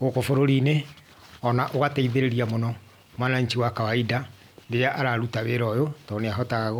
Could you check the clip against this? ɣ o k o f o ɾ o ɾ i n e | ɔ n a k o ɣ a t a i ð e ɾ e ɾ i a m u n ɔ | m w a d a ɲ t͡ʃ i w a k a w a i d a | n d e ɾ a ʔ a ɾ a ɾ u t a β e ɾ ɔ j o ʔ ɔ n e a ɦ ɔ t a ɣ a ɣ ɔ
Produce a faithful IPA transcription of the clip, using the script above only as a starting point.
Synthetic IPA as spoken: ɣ o k o f o ɾ o ɾ i n e | ɔ n a ʔ o ɣ a t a i ð e ɾ e ɾ i a m o n ɔ | m w a n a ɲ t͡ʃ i w a k a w a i d a | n d e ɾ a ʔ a ɾ a ɾ u t a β e ɾ ɔ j o t ɔ n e a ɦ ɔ t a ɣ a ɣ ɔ

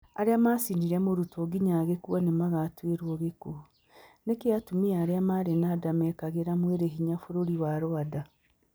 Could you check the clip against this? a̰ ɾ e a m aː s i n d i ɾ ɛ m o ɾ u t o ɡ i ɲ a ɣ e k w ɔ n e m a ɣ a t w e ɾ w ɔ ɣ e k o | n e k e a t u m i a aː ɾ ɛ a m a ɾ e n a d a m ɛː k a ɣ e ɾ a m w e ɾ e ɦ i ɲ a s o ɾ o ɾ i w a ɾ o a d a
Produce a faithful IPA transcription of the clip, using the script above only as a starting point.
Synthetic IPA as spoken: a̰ ɾ e a m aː s i n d i ɾ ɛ m o ɾ u t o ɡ i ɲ a ɣ e k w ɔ n e m a ɣ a t w e ɾ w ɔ ɣ e k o | n e k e a t u m i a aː ɾ e a m a ɾ e n a d a m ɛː k a ɣ e ɾ a m w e ɾ e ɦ i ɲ a f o ɾ o ɾ i w a ɾ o a d a

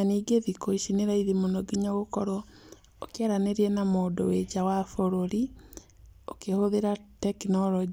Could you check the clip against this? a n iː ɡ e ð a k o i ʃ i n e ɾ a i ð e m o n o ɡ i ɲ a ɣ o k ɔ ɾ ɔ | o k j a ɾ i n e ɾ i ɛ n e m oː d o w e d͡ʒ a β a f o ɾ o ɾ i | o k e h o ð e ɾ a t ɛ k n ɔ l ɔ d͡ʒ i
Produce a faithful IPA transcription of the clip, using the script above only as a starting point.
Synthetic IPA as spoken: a n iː ɡ e ð i k o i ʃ i n e ɾ a i ð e m o n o ɡ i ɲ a ɣ o k ɔ ɾ ɔ | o k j a ɾ a n e ɾ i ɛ n a m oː d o w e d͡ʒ a w a f o ɾ o ɾ i | o k e h o ð e ɾ a t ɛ k n ɔ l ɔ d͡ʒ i

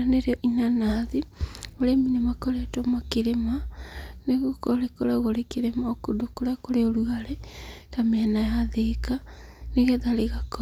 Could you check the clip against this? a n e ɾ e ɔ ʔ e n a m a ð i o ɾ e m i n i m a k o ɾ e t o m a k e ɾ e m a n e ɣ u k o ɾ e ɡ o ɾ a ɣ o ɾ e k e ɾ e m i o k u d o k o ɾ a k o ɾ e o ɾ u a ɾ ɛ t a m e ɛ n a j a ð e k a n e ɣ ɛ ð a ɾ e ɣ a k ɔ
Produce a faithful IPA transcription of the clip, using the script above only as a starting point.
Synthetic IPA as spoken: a n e ɾ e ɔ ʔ i n a n a ð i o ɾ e m i n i m a k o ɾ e t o m a k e ɾ e m a n e ɣ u k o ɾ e k o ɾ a ɣ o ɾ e k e ɾ e m a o k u d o k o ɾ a k o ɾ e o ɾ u a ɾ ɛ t a m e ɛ n a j a ð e k a n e ɣ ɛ ð a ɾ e ɣ a k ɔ

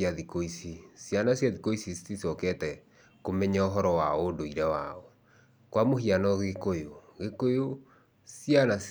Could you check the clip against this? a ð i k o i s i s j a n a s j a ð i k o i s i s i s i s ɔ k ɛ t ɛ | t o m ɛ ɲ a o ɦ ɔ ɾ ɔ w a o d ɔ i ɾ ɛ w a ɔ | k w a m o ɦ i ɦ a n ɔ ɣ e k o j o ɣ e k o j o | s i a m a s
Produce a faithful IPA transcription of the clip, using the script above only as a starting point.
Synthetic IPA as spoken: a ð i k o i s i s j a n a s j a ð i k o i s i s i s i s ɔ k ɛ t ɛ | k o m ɛ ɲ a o ɦ ɔ ɾ ɔ w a o d o i ɾ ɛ w a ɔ | k w a m o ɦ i a n ɔ ɣ e k o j o ɣ e k o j o | s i a n a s

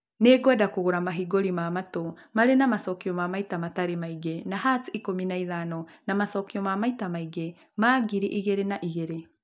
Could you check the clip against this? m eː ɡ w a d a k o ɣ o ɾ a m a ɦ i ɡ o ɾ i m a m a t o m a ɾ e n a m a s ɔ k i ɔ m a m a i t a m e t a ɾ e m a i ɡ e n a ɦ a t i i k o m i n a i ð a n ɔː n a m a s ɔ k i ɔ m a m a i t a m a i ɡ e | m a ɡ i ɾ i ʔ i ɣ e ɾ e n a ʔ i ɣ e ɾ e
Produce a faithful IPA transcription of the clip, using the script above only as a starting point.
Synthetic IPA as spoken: n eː ɡ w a d a k o ɣ o ɾ a m a ɦ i ɡ o ɾ i m a m a t o m a ɾ e n a m a s ɔ k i ɔ m a m a i t a m a t a ɾ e m a i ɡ e n a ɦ a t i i k o m i n a i ð a n ɔ n a m a s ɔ k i ɔ m a m a i t a m a i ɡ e | m a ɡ i ɾ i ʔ i ɣ e ɾ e n a ʔ i ɣ e ɾ e

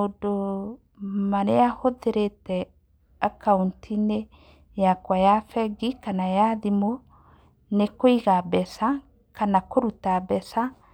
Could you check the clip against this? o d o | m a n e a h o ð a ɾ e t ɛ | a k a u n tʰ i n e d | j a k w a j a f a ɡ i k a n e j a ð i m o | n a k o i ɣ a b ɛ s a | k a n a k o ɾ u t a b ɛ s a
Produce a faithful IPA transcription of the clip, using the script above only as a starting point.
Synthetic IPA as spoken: o d o | m a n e a h o ð e ɾ e t ɛ | a k a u n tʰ i n e | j a k w a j a f ɛ ɡ i k a n a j a ð i m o | n e k o i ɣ a b ɛ s a | k a n a k o ɾ u t a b ɛ s a

